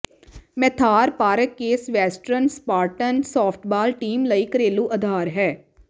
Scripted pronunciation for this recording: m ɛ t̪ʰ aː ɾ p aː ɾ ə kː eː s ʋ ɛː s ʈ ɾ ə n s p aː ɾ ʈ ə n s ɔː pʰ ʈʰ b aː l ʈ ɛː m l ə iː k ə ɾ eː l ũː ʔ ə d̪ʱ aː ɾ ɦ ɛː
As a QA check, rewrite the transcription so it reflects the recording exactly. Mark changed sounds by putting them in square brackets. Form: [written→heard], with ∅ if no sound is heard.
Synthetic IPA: m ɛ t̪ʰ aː ɾ p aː ɾ ə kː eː s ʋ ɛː s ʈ ɾ ə n s p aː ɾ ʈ ə n s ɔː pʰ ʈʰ b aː l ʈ [ɛː→iː] m l ə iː k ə ɾ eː l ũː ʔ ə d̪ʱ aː ɾ ɦ ɛː